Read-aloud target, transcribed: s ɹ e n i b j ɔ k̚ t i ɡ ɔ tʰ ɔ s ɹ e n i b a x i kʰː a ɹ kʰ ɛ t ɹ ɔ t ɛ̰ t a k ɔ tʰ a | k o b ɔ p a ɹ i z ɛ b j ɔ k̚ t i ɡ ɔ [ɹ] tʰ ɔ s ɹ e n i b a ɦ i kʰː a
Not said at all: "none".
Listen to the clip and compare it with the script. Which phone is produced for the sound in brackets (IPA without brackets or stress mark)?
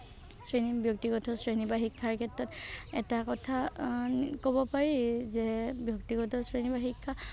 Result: none